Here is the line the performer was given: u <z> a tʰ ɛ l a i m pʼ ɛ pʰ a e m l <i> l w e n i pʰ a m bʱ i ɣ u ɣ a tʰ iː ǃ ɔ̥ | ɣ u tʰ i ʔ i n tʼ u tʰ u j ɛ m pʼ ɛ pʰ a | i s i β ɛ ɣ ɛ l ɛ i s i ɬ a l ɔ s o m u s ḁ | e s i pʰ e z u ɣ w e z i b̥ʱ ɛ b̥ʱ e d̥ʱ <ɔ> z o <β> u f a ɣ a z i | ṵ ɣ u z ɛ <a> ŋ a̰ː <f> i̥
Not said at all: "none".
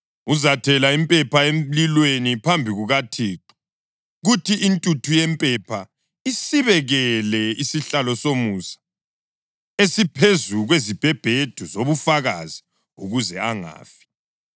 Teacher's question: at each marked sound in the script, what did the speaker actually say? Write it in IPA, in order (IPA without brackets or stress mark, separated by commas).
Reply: z, i, u, β, a, f